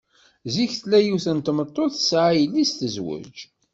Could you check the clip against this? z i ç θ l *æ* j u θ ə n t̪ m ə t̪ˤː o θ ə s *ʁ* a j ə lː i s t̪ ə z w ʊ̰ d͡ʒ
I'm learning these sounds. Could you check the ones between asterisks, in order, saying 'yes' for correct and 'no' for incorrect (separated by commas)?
yes, no